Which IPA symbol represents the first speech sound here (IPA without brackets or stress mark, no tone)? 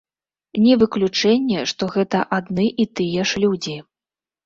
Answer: nʲ